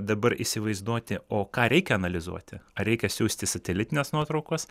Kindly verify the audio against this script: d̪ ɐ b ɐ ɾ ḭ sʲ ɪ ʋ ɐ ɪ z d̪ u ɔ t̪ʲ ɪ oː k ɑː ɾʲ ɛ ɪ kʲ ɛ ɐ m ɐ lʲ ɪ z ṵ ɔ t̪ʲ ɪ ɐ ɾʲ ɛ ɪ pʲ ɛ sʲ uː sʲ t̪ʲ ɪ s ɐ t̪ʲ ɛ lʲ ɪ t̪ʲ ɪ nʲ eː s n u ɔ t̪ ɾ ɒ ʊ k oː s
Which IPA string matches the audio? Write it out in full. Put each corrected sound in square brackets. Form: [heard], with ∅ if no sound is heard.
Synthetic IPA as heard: d̪ ɐ b ɐ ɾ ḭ sʲ ɪ ʋ ɐ ɪ z d̪ u ɔ t̪ʲ ɪ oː k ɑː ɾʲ ɛ ɪ kʲ ɛ ɐ [n] ɐ lʲ ɪ z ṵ ɔ t̪ʲ ɪ ɐ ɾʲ ɛ ɪ [kʲ] ɛ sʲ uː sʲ t̪ʲ ɪ s ɐ t̪ʲ ɛ lʲ ɪ t̪ʲ ɪ nʲ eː s n u ɔ t̪ ɾ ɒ ʊ k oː s